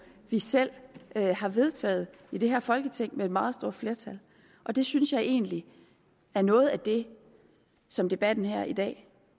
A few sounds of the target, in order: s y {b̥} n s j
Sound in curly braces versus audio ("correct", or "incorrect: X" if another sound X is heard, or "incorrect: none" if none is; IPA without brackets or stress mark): incorrect: none